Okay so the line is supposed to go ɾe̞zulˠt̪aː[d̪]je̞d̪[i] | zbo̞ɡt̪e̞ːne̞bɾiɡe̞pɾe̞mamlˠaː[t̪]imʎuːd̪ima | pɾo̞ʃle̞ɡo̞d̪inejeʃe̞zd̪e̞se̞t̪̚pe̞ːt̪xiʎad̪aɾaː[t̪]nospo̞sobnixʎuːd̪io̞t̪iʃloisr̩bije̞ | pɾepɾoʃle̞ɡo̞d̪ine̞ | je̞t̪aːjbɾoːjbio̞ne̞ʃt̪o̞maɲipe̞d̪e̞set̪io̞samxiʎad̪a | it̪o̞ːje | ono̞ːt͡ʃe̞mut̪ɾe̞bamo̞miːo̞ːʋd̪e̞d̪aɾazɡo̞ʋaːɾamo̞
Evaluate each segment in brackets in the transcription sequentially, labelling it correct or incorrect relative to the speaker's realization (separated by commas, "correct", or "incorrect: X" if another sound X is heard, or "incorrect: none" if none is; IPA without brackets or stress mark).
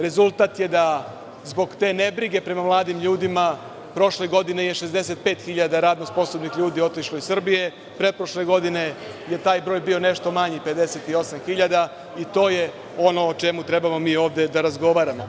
incorrect: t̪, incorrect: a, incorrect: d̪, incorrect: d̪